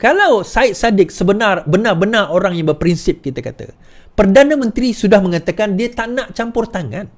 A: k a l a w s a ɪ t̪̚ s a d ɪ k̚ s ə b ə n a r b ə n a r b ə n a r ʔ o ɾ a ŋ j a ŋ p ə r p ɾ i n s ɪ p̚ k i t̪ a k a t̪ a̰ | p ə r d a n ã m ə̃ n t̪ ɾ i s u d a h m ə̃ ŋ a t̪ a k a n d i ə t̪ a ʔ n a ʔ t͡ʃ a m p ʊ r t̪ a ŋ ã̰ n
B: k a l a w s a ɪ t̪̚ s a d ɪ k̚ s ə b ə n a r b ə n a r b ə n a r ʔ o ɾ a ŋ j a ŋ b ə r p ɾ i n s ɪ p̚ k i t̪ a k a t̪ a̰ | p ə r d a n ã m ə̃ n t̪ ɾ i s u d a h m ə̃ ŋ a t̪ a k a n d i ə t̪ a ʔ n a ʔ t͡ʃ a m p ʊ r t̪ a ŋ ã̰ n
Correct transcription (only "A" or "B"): B